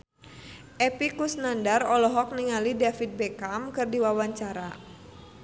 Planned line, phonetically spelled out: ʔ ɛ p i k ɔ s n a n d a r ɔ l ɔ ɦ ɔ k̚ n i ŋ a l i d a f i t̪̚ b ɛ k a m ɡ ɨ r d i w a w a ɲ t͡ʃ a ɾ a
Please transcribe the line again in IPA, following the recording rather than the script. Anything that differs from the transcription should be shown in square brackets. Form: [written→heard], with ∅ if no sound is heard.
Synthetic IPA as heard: ʔ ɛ p i k [ɔ→u] s n a n d a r ɔ l ɔ ɦ ɔ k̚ n i ŋ a l i d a f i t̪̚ b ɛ k a m [ɡ→k] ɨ r d i w a w a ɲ t͡ʃ a ɾ a